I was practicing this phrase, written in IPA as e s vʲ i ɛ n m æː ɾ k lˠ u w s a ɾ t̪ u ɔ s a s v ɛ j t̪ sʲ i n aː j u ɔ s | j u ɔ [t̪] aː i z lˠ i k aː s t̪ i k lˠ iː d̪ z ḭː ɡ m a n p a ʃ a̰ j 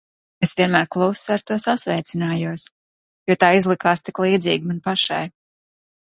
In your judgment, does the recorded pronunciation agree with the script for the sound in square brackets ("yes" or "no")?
yes